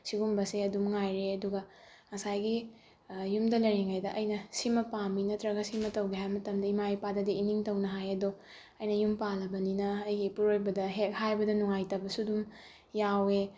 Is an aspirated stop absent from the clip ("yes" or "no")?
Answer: yes